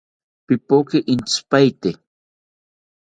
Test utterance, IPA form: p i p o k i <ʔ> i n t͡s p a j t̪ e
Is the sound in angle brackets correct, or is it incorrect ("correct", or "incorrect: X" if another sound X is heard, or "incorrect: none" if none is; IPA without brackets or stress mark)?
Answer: correct